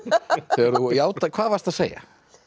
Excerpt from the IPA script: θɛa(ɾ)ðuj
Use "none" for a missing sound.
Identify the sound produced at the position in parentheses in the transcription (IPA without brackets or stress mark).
ɾ